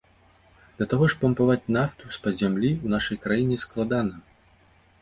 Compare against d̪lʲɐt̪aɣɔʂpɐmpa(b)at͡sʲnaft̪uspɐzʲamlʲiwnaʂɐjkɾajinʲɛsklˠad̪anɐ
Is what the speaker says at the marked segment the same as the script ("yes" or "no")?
no